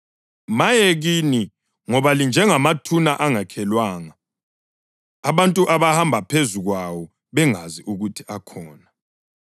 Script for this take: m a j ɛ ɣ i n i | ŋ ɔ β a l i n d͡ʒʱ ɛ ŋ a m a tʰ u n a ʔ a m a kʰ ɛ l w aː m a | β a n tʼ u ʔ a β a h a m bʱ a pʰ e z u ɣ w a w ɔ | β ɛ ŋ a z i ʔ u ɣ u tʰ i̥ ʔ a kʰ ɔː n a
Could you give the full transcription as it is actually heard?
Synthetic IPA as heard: m a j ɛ ɣ i n i | ŋ ɔ β a l i n d͡ʒʱ ɛ ŋ a m a tʰ u n a ʔ a ŋ a kʰ ɛ l w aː ŋ a | β a n tʼ u ʔ a β a h a m bʱ a pʰ e z u ɣ w a w ɔ | β ɛ ŋ a z i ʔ u ɣ u tʰ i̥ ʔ a kʰ ɔː n a